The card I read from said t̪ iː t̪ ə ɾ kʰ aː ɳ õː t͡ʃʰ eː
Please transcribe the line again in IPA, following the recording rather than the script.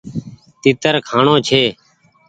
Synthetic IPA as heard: t̪ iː t̪ ə ɾ kʰ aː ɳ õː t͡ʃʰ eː